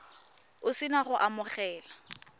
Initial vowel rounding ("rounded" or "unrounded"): rounded